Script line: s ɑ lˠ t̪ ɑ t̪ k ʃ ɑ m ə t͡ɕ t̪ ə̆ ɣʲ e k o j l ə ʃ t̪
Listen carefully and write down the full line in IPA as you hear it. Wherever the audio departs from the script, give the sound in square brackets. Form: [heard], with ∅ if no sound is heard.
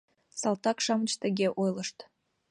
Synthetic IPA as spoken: s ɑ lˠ t̪ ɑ [∅] k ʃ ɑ m ə t͡ɕ t̪ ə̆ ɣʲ e [ʔ] o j l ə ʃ t̪